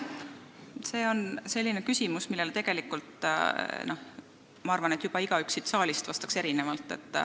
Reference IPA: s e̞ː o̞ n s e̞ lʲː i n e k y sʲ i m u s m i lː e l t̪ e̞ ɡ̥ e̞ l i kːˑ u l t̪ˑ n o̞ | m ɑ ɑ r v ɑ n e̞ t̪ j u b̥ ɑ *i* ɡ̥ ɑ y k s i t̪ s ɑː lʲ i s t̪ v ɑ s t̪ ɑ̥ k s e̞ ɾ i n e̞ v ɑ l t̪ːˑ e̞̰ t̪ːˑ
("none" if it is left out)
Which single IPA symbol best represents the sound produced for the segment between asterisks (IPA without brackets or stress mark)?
i